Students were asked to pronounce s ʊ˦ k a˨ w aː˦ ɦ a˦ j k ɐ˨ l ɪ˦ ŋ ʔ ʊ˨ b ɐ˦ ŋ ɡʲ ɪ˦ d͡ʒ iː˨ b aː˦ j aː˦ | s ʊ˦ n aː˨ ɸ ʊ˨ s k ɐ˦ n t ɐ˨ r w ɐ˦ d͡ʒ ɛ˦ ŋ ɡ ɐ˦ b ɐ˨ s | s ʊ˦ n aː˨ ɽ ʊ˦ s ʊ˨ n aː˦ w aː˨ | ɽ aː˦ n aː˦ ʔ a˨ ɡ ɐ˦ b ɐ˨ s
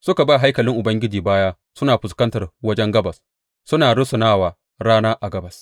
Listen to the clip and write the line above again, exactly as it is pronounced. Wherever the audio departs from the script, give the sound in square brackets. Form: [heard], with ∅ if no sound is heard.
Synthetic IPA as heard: s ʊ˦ k a˨ [b] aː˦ ɦ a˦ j k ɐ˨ l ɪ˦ ŋ ʔ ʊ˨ b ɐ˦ ŋ ɡʲ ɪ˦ d͡ʒ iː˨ b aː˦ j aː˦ | s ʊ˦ n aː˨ ɸ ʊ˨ s k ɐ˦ n t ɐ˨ r w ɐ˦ d͡ʒ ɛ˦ ŋ ɡ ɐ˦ b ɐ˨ s | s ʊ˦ n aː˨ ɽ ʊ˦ s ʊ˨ n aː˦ w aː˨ | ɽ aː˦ n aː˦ ʔ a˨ ɡ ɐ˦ b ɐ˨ s